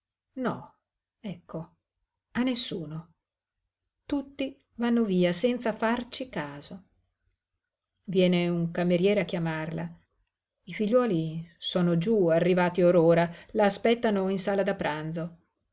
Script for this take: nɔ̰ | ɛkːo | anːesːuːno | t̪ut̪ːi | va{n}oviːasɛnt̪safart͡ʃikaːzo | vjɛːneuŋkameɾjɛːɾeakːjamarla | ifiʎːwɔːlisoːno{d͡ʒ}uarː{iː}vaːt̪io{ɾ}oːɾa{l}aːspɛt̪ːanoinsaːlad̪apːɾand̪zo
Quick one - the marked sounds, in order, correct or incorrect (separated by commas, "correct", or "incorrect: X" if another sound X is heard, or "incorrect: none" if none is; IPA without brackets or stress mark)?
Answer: incorrect: nː, correct, incorrect: i, correct, correct